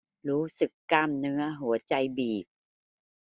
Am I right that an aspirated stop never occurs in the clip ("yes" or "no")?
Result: yes